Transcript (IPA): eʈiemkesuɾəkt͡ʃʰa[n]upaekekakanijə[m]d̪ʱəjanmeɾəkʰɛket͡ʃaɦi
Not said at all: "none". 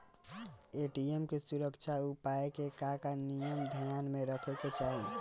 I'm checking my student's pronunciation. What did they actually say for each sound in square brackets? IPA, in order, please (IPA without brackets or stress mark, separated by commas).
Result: none, m